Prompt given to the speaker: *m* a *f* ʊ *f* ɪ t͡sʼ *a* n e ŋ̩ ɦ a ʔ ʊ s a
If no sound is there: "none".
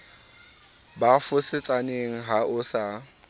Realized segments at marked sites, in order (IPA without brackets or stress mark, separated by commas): b, f, s, a